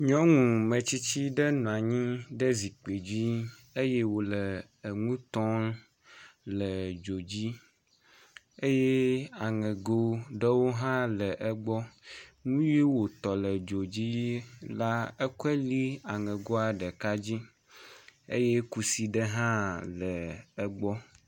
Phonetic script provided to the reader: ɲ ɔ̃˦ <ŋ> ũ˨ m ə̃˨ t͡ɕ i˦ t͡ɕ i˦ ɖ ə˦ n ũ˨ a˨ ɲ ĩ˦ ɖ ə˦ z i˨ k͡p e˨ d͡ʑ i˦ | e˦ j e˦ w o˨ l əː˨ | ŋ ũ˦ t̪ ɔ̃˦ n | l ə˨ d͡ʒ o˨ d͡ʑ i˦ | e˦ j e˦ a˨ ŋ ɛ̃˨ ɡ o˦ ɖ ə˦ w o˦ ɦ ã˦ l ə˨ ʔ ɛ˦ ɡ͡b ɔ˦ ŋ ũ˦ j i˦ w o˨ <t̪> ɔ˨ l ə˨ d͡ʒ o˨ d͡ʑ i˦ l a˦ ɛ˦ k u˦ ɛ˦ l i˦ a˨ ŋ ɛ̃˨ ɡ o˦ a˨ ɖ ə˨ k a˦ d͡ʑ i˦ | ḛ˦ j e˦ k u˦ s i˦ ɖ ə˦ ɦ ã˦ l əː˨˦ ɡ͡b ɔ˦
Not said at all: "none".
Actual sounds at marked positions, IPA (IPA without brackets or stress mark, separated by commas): ŋ, t̪